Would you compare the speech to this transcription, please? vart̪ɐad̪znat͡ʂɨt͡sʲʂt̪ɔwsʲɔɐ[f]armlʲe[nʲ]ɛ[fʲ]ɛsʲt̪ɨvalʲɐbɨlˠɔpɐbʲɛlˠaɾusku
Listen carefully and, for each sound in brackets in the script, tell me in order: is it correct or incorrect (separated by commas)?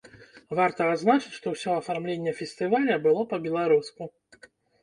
correct, incorrect, correct